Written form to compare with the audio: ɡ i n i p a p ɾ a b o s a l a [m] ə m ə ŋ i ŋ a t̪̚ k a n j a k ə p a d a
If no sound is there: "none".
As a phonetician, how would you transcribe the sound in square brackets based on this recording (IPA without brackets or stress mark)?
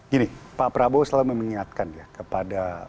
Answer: m